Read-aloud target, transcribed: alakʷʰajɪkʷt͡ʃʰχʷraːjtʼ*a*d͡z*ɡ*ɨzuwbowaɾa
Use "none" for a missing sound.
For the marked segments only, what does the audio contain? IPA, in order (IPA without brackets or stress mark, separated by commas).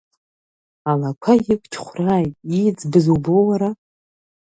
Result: i, b